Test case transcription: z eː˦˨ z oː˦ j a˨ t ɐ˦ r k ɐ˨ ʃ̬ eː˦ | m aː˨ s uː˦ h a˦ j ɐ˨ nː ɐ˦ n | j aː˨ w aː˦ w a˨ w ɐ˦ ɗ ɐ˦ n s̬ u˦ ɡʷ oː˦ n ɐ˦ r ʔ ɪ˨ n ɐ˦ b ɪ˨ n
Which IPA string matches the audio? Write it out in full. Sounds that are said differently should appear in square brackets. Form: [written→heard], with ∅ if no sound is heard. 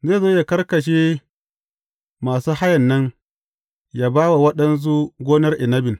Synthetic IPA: z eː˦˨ z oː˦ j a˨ [t→k] ɐ˦ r k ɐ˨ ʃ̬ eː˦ | m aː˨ s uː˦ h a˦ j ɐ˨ nː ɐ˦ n | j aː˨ [w→b] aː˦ w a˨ w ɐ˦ ɗ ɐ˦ n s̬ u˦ ɡʷ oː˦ n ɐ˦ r ʔ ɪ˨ n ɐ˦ b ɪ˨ n